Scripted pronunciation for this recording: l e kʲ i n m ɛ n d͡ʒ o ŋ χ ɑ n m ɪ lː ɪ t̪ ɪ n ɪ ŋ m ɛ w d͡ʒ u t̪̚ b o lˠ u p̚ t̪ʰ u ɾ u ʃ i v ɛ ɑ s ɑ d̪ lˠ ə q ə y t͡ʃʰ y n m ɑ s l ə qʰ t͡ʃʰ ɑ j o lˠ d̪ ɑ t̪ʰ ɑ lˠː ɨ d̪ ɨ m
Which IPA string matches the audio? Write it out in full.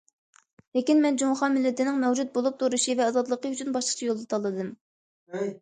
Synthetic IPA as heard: l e kʲ i n m ɛ n d͡ʒ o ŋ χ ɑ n m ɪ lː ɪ t̪ ɪ n ɪ ŋ m ɛ w d͡ʒ u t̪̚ b o lˠ u p̚ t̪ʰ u ɾ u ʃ i v ɛ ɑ z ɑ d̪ lˠ ə q ə y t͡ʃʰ y n b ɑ ʃ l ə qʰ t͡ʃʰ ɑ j o lˠ d̪ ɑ t̪ʰ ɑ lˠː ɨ d̪ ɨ m